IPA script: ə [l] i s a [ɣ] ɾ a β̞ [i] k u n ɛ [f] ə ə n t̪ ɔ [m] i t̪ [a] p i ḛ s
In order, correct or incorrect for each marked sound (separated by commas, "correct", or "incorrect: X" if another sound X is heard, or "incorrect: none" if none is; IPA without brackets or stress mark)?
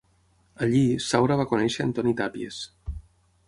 incorrect: ʎ, incorrect: w, incorrect: a, incorrect: ʃ, incorrect: n, correct